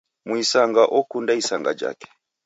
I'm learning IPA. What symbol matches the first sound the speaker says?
m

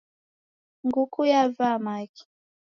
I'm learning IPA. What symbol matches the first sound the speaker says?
ŋ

